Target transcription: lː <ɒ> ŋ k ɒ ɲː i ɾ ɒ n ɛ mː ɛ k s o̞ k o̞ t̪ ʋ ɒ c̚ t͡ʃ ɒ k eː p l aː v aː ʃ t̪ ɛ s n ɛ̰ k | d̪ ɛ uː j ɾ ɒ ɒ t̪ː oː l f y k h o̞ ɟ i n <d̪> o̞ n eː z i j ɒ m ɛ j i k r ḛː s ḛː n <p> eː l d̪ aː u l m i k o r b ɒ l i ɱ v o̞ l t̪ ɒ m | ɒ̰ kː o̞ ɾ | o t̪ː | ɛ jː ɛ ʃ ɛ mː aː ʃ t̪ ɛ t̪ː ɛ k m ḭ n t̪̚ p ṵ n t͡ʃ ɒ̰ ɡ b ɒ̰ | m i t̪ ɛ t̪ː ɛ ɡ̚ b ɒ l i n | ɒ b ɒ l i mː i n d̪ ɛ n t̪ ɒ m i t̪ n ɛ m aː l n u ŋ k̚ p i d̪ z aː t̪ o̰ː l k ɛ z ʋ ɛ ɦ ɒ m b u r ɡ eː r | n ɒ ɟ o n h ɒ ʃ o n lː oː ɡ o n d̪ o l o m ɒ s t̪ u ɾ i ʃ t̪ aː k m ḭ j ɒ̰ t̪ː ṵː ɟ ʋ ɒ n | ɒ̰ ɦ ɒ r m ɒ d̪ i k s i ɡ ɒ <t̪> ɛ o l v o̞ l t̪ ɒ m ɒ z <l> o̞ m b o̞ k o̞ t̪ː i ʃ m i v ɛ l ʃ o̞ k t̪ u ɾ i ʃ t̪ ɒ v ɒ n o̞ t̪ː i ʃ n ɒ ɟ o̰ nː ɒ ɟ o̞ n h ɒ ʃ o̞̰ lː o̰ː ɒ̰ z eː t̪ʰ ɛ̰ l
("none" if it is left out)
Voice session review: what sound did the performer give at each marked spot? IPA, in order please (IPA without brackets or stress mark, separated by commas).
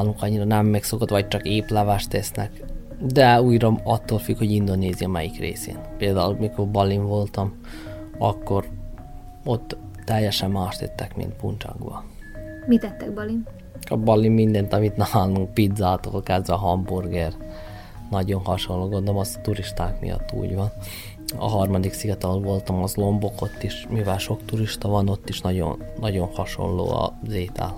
u, d̪, p, t̪, l